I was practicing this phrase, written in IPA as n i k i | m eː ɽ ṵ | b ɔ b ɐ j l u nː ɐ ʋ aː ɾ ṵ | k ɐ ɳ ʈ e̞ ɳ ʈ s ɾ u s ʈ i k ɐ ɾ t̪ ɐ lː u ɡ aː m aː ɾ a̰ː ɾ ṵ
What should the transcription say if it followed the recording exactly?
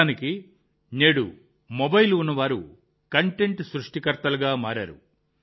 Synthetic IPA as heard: n i k i | n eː ɽ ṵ | m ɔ b ɐ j l u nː ɐ ʋ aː ɾ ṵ | k ɐ ɳ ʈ e̞ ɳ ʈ s ɾ u ʂ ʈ i k ɐ ɾ t̪ ɐ l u ɡ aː m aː ɾ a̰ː ɾ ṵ

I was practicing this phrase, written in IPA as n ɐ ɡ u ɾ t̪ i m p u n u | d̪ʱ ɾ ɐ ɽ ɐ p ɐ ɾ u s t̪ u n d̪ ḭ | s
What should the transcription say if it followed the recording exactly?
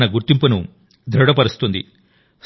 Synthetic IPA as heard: n ɐ ɡ u ɾ t̪ i m p u n u | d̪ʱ ɾ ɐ ɽ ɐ p ɐ ɾ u s t̪ u n d̪ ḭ | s

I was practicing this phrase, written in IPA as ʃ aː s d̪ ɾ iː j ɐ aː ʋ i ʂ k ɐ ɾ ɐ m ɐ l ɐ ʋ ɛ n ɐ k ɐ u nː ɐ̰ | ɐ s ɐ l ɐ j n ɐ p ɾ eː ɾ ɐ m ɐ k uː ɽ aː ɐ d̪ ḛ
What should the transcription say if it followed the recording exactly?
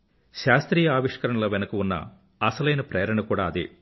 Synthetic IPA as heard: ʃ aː s t̪ ɾ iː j ɐ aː ʋ i ʂ k ɐ ɾ ɐ ɳ ɐ l ɐ ʋ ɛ n ɐ k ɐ u nː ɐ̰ | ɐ s ɐ l ɐ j n ɐ p ɾ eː ɾ ɐ ɳ ɐ k uː ɽ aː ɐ d̪ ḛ

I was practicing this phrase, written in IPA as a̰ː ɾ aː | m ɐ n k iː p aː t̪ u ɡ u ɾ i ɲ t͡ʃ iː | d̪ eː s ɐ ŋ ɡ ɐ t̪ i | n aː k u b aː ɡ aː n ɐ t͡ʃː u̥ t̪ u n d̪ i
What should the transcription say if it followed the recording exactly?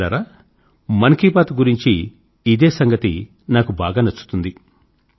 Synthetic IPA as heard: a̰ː ɾ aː | m ɐ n k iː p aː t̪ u ɡ u ɾ i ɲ t͡ʃ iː | d̪ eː s ɐ ŋ ɡ ɐ t̪ i | n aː k u b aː ɡ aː n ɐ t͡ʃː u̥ t̪ u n d̪ i

